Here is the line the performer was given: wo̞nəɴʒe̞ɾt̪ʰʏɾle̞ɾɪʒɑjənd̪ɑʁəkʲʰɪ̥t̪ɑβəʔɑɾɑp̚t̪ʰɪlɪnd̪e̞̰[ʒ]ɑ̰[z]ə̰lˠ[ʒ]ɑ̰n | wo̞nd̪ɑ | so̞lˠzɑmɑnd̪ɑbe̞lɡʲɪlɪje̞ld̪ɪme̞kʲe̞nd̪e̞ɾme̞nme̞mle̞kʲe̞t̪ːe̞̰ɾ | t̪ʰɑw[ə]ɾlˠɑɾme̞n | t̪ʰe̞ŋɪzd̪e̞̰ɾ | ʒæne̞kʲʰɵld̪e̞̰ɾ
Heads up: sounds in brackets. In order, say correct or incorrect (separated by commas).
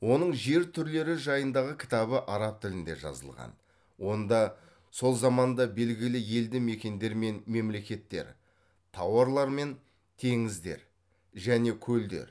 correct, correct, incorrect, incorrect